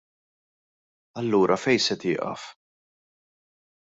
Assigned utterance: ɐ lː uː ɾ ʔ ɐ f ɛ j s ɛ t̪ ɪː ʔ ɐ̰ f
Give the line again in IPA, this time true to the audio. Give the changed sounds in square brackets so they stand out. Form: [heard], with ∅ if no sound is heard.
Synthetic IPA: ɐ lː uː ɾ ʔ ɐ f ɛ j s ɛ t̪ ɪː ʔ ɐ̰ f